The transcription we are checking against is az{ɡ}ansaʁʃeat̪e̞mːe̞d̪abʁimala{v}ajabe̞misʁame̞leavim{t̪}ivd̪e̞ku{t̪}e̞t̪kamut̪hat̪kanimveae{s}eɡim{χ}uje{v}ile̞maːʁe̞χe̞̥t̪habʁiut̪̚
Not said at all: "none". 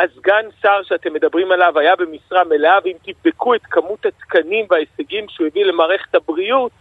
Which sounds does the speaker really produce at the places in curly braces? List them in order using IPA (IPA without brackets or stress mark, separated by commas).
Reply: ɡ, v, t̪, none, s, ʃ, v